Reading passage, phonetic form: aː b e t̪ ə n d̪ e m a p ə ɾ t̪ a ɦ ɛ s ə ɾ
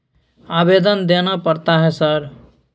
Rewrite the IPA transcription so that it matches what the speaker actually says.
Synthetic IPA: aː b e d̪ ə n d̪ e n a p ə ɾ t̪ a ɦ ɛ s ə ɾ